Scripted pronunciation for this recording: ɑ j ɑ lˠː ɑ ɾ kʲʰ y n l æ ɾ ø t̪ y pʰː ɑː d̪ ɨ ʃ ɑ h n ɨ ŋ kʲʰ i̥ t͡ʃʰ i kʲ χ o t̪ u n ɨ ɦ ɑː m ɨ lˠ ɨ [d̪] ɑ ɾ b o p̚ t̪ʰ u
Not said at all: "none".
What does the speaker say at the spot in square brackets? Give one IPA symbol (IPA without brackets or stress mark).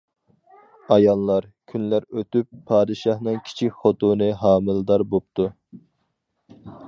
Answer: d̪